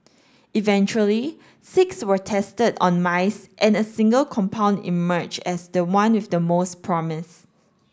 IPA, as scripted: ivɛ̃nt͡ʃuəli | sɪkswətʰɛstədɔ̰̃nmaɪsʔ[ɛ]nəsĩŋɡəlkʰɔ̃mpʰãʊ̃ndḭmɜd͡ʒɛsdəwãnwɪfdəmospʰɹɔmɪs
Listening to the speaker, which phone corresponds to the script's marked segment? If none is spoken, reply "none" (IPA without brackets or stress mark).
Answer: ɛ̃